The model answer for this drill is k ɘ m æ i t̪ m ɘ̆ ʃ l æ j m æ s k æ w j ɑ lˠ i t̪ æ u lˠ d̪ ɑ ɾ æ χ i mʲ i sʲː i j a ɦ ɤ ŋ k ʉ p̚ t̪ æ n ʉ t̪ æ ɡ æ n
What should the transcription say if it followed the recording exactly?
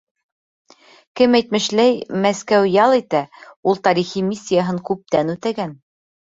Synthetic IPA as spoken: k ɘ m æ j t̪ m ɘ̆ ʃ l æ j m æ s k æ w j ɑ lˠ i t̪ æ u lˠ t̪ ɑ ɾ i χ i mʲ i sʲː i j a ɦ ɤ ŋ k ʉ p̚ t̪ æ n ʉ t̪ æ ɡ æ n